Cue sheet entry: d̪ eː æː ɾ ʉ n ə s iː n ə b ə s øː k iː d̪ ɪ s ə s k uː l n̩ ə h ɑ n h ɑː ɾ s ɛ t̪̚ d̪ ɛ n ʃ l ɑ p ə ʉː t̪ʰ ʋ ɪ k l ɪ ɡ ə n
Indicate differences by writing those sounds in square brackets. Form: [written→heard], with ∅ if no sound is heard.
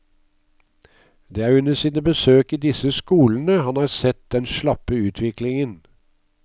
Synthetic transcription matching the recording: d̪ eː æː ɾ ʉ n ə s iː n ə b ə s øː k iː d̪ ɪ s ə s k uː l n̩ ə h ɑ n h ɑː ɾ s ɛ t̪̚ d̪ ɛ n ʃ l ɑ p ə ʉː t̪ʰ ʋ ɪ k l ɪ [ɡ→ŋ] ə n

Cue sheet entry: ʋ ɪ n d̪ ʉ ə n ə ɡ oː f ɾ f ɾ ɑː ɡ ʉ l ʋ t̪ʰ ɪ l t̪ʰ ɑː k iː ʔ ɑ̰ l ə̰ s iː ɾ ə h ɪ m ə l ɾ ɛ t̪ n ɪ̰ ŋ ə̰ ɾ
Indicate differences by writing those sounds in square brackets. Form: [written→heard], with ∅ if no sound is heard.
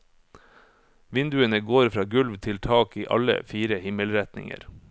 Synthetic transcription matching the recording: ʋ ɪ n d̪ ʉ ə n ə ɡ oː [f→∅] ɾ f ɾ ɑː ɡ ʉ l ʋ t̪ʰ ɪ l t̪ʰ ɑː k iː ʔ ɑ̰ l ə̰ [s→f] iː ɾ ə h ɪ m ə l ɾ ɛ t̪ n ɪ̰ ŋ ə̰ ɾ

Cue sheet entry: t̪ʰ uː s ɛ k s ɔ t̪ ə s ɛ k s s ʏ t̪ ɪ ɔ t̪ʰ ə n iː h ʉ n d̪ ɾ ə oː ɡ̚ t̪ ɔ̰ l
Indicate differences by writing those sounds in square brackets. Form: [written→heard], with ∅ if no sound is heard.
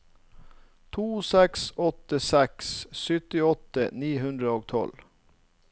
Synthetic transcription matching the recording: t̪ʰ uː s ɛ k s ɔ t̪ ə s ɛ k s s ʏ t̪ ɪ ɔ [t̪ʰ→t̪] ə n iː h ʉ n d̪ ɾ ə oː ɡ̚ [t̪→t̪ʰ] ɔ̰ l

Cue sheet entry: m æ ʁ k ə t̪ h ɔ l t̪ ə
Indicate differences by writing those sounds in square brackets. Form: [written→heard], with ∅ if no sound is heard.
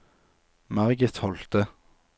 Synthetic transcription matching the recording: m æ ʁ [k→ɡ] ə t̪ h ɔ l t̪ ə

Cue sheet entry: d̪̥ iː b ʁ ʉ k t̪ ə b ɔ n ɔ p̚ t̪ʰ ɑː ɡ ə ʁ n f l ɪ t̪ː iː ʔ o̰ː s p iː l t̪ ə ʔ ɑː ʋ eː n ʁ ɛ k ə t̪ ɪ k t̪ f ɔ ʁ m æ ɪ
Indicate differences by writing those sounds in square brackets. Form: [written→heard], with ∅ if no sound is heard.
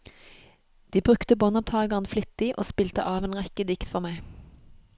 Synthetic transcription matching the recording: d̪̥ iː b ʁ ʉ k t̪ ə b ɔ n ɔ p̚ t̪ʰ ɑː ɡ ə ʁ n f l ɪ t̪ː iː ʔ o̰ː s p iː l t̪ ə ʔ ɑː ʋ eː n ʁ ɛ k ə [t̪→d̪] ɪ k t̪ f ɔ ʁ m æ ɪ

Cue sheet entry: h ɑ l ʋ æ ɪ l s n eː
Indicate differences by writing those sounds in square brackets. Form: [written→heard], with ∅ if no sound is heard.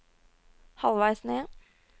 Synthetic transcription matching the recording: h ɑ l ʋ æ ɪ [l→∅] s n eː

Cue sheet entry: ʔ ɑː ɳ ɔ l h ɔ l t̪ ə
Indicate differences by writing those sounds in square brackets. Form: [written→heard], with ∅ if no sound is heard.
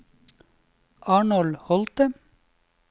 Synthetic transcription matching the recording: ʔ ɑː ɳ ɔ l h ɔ l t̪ ə

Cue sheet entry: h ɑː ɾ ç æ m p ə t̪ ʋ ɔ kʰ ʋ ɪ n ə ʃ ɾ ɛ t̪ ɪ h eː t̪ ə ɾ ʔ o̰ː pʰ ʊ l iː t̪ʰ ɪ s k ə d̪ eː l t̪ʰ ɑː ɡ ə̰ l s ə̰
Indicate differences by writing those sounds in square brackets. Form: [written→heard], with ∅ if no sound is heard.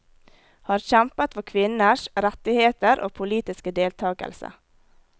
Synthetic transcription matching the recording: h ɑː ɾ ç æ m p ə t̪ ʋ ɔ kʰ ʋ ɪ n ə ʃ ɾ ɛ t̪ ɪ h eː t̪ ə ɾ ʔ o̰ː pʰ ʊ l iː [t̪ʰ→t̪] ɪ s k ə d̪ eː l t̪ʰ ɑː ɡ ə̰ l s ə̰

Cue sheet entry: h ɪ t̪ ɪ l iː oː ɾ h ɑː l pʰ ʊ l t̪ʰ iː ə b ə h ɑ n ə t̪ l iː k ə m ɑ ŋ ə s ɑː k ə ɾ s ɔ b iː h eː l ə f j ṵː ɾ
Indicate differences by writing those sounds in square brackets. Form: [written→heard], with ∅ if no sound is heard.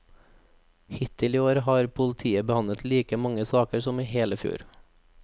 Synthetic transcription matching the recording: h ɪ t̪ ɪ l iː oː ɾ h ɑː [l→ɾ] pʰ ʊ l t̪ʰ iː ə b ə h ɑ n ə t̪ l iː k ə m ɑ ŋ ə s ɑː k ə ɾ s ɔ [b→m] iː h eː l ə f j ṵː ɾ

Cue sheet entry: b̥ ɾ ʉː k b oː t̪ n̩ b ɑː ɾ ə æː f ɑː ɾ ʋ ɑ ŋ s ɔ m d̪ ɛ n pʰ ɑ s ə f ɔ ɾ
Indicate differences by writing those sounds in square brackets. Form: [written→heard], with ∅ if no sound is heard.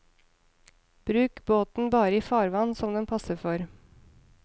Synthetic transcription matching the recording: b̥ ɾ ʉː k b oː t̪ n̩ b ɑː ɾ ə [æː→iː] f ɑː ɾ ʋ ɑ [ŋ→n] s ɔ m d̪ ɛ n pʰ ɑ s ə f ɔ ɾ

